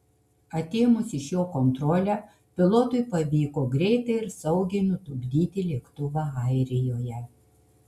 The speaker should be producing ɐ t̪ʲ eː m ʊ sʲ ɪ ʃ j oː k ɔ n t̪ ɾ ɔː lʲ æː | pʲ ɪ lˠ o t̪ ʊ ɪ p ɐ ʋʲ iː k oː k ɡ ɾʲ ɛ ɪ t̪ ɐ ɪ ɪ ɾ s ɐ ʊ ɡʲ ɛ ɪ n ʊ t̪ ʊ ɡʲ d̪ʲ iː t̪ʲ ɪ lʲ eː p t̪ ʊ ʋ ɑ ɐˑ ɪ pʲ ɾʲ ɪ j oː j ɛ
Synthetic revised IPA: ɐ t̪ʲ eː m ʊ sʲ ɪ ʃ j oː k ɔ n t̪ ɾ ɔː lʲ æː | pʲ ɪ lˠ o t̪ ʊ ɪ p ɐ ʋʲ iː k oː ɡ ɾʲ ɛ ɪ t̪ ɐ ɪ ɪ ɾ s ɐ ʊ ɡʲ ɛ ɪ n ʊ t̪ ʊ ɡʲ d̪ʲ iː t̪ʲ ɪ lʲ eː k t̪ ʊ ʋ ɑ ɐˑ ɪ ɾʲ ɪ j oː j ɛ